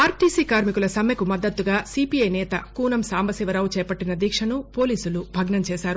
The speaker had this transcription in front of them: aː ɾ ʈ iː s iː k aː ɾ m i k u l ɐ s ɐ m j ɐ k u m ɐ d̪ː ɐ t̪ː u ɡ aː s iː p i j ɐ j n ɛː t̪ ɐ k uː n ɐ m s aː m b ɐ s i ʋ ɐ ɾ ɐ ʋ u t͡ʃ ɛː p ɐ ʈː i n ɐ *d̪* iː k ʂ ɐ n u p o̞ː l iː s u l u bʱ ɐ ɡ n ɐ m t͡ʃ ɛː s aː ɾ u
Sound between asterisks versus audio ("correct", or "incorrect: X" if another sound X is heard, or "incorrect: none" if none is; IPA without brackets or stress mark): correct